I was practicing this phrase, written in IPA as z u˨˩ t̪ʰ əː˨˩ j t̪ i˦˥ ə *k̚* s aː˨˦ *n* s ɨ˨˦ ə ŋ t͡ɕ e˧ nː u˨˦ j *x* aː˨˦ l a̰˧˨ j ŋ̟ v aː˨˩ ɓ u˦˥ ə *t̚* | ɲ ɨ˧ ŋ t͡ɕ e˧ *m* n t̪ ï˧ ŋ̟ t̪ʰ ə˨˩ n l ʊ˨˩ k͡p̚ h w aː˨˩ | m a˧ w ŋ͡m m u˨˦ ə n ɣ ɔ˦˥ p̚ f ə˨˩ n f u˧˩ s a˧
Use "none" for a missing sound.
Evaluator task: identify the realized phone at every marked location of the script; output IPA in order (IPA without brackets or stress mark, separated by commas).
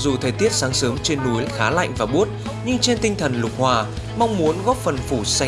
t̚, ŋ, x, t̚, none